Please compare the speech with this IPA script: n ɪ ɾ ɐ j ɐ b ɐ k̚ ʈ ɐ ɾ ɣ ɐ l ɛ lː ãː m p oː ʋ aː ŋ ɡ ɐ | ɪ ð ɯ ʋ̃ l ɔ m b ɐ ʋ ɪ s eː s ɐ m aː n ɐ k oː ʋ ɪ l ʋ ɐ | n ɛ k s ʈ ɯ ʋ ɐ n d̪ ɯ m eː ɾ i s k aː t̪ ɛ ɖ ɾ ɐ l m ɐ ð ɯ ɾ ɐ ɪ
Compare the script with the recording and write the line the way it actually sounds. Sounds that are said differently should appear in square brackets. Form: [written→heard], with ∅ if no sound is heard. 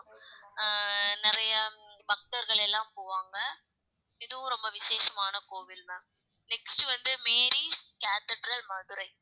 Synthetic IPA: n ɪ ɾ ɐ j ɐ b ɐ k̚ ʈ ɐ ɾ ɣ ɐ [l→ɭ] ɛ lː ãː m p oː ʋ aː ŋ ɡ ɐ | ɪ ð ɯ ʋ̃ [l→ɾ] ɔ m b ɐ ʋ ɪ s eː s ɐ m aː n ɐ k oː ʋ ɪ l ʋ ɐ | n ɛ k s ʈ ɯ ʋ ɐ n d̪ ɯ m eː ɾ i s k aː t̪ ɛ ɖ ɾ ɐ l m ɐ ð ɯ ɾ ɐ ɪ